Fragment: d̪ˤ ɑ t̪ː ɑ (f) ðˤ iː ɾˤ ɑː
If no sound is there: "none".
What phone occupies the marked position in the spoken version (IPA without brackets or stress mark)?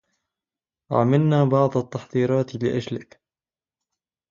ħ